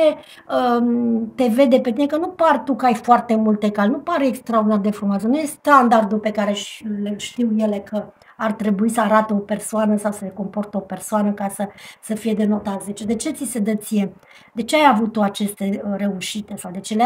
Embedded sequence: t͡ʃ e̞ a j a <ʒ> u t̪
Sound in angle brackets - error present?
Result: yes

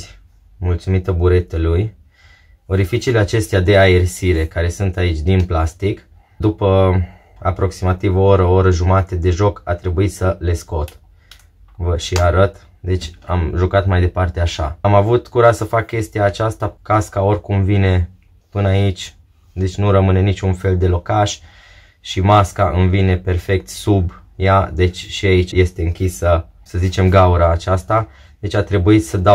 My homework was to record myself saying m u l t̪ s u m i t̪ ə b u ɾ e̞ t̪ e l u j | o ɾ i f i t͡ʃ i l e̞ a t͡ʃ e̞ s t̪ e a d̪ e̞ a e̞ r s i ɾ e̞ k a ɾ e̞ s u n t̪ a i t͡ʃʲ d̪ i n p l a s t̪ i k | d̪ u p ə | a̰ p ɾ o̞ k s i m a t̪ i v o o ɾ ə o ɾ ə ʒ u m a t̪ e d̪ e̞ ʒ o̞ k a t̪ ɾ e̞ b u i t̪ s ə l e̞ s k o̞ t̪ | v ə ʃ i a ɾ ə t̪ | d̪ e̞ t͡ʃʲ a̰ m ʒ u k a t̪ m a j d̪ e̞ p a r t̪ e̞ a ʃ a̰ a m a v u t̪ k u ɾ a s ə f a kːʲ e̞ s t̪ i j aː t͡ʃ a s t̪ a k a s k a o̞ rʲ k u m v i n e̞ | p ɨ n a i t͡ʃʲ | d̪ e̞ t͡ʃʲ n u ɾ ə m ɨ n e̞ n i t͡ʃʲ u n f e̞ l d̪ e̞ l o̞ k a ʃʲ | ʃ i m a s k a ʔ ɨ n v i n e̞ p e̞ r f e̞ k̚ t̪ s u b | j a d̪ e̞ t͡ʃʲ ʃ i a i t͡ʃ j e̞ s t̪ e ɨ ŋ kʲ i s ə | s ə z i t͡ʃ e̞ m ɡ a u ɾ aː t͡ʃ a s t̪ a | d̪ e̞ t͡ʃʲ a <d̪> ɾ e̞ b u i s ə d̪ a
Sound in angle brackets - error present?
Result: yes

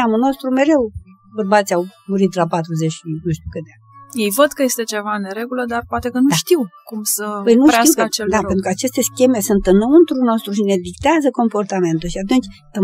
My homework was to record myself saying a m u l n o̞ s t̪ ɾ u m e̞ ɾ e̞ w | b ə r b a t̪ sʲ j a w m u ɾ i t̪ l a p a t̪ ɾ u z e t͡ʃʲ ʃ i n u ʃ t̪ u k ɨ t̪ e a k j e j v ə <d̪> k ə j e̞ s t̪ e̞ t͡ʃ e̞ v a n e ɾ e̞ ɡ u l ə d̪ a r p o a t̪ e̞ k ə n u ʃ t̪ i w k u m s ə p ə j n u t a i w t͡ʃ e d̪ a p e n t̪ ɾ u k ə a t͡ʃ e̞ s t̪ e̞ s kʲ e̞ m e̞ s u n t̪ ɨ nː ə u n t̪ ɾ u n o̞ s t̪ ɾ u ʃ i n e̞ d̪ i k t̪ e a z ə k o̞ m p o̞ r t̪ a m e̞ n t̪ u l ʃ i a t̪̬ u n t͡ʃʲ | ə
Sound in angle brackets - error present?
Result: no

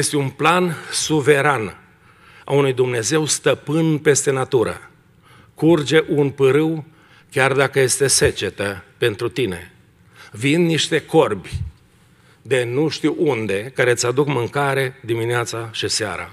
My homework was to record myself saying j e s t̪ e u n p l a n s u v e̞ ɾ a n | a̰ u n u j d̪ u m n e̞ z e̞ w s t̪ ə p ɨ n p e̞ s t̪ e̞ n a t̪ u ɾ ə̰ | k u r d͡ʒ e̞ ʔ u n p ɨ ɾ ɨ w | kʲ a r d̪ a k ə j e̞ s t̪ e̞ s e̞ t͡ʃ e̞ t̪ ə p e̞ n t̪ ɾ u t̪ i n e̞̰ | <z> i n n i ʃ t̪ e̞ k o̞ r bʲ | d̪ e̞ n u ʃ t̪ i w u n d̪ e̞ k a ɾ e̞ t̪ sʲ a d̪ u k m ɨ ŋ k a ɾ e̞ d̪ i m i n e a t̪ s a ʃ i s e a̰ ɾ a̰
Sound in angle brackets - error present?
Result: yes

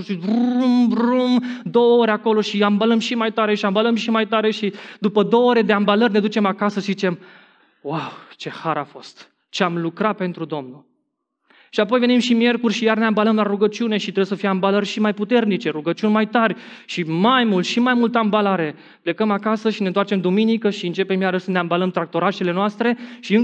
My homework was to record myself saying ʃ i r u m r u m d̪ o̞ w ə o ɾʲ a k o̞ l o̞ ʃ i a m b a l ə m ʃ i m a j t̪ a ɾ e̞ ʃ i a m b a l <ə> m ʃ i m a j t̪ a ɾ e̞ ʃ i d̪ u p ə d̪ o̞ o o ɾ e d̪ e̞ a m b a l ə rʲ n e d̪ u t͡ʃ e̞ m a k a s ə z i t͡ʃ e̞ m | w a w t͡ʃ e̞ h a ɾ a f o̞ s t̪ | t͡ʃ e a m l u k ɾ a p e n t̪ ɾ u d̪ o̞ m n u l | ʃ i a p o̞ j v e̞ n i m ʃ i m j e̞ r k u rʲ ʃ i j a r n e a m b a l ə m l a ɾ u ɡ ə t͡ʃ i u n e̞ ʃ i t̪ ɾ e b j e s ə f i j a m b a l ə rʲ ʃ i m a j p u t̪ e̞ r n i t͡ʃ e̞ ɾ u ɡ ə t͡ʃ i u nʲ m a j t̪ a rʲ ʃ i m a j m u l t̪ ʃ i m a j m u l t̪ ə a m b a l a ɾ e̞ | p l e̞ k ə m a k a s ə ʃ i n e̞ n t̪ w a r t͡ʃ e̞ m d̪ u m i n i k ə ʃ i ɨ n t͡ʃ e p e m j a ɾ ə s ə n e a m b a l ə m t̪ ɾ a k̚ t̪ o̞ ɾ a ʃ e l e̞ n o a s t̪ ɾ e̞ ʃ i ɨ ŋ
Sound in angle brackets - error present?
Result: no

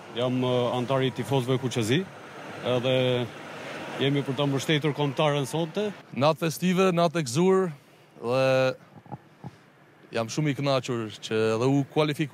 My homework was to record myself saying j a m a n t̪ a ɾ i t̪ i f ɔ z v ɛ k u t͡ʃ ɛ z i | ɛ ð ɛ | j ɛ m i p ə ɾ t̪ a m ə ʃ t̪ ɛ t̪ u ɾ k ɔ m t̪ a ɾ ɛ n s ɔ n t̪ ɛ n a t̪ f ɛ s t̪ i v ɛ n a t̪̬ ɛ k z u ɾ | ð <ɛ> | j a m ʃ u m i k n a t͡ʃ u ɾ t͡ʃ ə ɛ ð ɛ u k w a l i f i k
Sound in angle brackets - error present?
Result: no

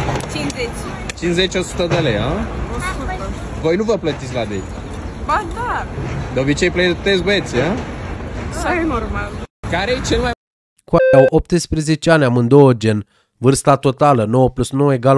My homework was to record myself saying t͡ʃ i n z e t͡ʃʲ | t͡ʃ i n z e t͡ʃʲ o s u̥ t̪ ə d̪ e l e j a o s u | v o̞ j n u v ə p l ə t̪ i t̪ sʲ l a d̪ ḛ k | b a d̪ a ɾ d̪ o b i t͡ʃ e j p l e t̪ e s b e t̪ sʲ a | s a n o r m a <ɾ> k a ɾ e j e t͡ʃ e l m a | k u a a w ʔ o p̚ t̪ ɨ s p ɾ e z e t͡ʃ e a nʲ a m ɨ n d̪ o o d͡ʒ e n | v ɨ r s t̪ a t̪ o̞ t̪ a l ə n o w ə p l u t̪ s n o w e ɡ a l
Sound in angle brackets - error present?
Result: yes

